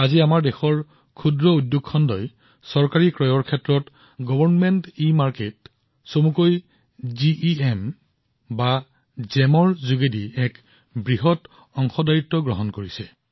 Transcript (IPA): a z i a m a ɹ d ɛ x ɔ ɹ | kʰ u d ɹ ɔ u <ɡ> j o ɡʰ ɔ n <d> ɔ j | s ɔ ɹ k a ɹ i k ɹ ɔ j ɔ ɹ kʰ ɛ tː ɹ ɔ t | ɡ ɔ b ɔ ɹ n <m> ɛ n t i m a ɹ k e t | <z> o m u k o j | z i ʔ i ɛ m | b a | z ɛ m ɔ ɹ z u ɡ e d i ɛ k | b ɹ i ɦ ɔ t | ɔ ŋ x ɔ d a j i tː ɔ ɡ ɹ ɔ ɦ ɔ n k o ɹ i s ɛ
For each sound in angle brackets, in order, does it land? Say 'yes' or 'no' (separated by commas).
no, yes, yes, no